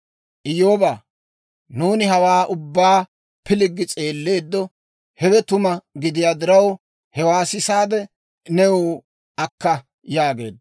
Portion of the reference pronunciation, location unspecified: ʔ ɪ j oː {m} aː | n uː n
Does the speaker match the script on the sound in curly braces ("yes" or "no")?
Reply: no